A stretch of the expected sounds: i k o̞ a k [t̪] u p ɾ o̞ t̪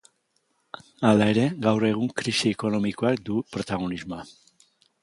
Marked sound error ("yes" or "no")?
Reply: yes